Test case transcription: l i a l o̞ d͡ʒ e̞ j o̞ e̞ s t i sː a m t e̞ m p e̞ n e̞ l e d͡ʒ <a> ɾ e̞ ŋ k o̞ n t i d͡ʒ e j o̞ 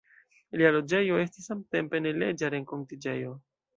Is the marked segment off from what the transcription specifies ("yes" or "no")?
no